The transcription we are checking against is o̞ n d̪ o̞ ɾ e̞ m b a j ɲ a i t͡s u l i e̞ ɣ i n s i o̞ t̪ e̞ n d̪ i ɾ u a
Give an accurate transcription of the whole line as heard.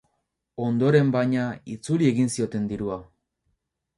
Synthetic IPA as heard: o̞ n d̪ o̞ ɾ e̞ m b a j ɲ a i t͡s u l i e̞ ɣ i n s i o̞ t̪ e̞ n d̪ i ɾ u a